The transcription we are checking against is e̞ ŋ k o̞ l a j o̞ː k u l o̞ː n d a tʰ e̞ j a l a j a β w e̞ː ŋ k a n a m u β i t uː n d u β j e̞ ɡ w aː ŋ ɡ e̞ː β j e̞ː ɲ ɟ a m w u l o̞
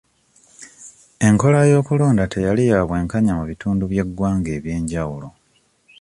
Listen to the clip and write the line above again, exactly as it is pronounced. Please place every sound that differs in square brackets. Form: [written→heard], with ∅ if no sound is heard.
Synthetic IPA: e̞ ŋ k o̞ l a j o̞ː k u l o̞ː n d a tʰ e̞ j a l [a→i] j a β w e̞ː ŋ k a [n→ɲ] a m u β i t uː n d u β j e̞ ɡ w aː ŋ ɡ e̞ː β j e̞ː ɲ ɟ a [m→∅] w u l o̞